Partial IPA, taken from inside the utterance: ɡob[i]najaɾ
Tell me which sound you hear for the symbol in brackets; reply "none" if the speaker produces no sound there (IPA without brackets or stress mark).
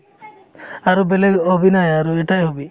i